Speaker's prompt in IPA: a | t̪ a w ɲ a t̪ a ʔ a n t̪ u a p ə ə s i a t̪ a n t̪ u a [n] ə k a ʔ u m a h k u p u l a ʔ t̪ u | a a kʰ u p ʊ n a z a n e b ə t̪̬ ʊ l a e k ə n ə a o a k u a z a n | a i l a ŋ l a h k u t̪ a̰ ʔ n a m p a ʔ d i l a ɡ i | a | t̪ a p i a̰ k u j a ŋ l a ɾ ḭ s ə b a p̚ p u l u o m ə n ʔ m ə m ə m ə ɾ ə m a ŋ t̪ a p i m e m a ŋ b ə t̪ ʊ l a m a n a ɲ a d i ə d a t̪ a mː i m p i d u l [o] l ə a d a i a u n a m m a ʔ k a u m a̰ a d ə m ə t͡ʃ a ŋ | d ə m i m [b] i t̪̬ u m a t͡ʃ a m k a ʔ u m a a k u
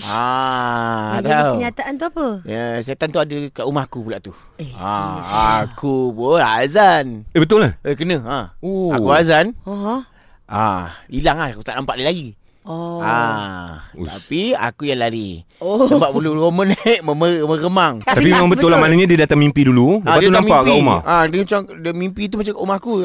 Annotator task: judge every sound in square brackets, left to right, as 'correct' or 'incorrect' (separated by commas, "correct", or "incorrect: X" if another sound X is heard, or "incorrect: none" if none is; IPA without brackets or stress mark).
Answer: incorrect: d, incorrect: u, incorrect: p